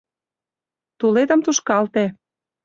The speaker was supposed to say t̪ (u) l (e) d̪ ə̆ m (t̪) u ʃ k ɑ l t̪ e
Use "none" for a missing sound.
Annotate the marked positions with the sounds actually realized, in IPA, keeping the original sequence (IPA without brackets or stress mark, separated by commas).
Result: u, e, t̪